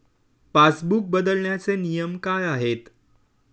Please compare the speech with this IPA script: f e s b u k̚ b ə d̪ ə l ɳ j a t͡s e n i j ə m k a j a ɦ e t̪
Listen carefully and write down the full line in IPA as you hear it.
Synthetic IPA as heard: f a s b u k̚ b ə d̪ ə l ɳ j a t͡s e n i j ə m k a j a ɦ e t̪